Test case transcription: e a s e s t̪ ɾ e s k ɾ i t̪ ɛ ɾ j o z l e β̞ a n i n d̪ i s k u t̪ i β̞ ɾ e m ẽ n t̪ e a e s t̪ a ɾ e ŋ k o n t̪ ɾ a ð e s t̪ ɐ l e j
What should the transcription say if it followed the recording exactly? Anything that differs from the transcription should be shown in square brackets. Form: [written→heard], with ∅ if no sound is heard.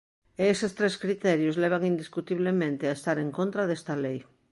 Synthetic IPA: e [a→e] s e s t̪ ɾ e s k ɾ i t̪ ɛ ɾ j o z l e β̞ a [n→ŋ] i n d̪ i s k u t̪ i β̞ [ɾ→l] e m ẽ n t̪ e a e s t̪ a ɾ e ŋ k o n t̪ ɾ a ð e s t̪ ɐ l e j